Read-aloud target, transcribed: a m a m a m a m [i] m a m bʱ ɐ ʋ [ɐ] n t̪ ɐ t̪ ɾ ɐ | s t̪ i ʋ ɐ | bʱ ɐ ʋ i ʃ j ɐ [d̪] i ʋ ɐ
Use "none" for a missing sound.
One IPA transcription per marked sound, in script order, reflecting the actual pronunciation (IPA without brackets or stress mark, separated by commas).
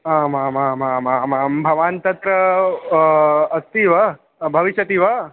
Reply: a, a, t̪